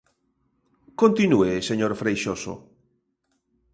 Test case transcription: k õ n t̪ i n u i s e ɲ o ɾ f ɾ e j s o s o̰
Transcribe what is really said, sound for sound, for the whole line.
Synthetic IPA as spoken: k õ n t̪ i n u e s e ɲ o ɾ f ɾ e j ʃ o s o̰

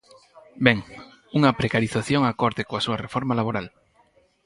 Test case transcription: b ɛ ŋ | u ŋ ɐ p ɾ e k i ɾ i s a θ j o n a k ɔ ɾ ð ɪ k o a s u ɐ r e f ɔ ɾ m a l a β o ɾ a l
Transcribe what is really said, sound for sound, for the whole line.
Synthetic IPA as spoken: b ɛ ŋ | u ŋ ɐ p ɾ e k a ɾ i θ a θ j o ŋ a k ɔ ɾ ð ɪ k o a s u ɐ r e f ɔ ɾ m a l a β o ɾ a l

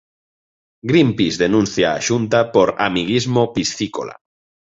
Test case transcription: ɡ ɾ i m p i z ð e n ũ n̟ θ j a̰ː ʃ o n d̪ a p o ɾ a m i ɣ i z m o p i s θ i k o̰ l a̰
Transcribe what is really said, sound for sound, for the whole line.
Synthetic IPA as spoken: ɡ ɾ i m p i z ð e n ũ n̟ θ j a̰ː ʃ u n t̪ a p o ɾ a m i ɣ i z m o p i s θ i k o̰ l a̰

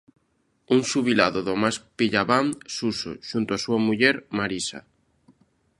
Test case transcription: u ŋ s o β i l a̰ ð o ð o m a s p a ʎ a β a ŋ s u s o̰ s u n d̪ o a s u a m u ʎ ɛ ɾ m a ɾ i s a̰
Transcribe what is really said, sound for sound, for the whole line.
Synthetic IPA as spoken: u ŋ s u β i l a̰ ð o ð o m a s p i ʎ a β a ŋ s u s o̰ ʃ u n t̪ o a s u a m u ʎ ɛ ɾ m a ɾ i s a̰

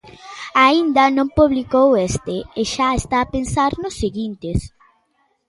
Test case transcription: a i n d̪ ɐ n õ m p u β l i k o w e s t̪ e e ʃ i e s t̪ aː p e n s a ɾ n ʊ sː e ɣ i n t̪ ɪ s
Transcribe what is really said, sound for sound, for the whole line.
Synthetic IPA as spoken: a i n d̪ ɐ n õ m p u β l i k o w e s t̪ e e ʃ a e s t̪ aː p e n s a ɾ n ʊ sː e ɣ i n t̪ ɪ s

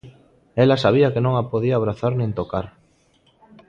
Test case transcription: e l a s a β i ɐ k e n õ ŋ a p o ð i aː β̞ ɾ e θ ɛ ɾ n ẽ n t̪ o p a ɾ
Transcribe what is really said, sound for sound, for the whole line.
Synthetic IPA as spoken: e l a s a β i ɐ k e n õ ŋ a p o ð i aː β̞ ɾ a θ a ɾ n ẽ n t̪ o k a ɾ

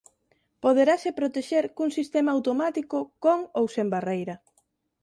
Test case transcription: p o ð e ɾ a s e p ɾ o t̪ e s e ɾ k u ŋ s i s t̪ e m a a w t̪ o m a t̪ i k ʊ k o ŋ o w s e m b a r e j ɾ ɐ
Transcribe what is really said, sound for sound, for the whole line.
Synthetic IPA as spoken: p o ð e ɾ a s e p ɾ o t̪ e ʃ e ɾ k u ŋ s i s t̪ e m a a w t̪ o m a t̪ i k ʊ k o ŋ o w s e m b a r e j ɾ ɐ

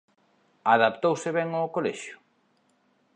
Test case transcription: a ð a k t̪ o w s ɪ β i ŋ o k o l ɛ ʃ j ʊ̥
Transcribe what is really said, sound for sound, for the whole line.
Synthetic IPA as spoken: a ð a p t̪ o w s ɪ β ɛ ŋ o k o l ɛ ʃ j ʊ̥

